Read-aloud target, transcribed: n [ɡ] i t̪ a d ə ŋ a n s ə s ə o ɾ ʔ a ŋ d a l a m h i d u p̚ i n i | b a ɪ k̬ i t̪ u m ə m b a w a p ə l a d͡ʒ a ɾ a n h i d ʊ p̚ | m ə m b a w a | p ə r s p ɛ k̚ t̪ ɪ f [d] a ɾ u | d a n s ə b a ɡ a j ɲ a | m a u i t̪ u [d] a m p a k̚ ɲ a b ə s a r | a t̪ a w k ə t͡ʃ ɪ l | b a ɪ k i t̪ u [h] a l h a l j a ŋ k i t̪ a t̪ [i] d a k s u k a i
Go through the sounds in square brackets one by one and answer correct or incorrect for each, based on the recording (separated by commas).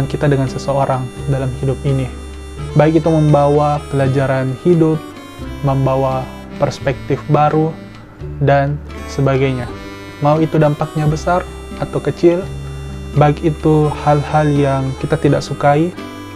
incorrect, incorrect, correct, correct, correct